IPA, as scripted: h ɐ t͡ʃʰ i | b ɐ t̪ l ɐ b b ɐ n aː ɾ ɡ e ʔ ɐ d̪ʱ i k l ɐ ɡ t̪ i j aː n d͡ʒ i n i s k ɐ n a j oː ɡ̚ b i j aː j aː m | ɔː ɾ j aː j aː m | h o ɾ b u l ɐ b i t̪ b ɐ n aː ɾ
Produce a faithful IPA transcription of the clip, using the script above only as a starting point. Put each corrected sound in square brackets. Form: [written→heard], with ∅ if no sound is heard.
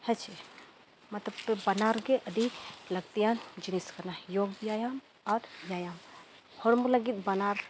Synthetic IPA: h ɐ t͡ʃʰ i | [b→m] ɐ t̪ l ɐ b b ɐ n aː ɾ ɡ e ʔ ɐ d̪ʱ i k l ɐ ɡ t̪ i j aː n d͡ʒ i n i s k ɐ n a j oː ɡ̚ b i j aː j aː m | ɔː ɾ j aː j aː m | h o ɾ [b→m] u l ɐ [b→ɡ] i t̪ b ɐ n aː ɾ